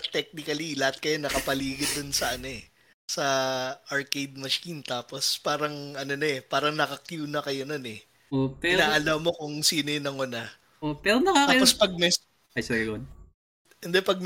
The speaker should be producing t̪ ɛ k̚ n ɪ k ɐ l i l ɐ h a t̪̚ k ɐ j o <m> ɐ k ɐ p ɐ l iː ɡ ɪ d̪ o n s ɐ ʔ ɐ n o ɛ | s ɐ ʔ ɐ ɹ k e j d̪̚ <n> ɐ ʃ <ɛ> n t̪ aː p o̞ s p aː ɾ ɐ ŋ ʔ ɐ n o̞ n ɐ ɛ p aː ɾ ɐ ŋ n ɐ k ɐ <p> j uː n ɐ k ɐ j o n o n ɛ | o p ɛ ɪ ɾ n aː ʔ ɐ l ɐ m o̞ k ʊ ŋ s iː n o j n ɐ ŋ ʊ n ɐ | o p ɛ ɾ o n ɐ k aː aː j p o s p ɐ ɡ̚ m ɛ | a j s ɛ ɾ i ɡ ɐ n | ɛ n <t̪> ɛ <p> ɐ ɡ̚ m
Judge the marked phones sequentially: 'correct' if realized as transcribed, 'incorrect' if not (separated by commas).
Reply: incorrect, incorrect, incorrect, incorrect, incorrect, correct